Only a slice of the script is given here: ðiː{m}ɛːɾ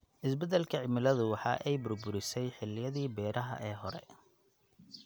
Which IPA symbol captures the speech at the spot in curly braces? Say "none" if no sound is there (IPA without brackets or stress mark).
b